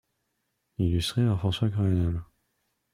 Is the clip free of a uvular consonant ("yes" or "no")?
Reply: no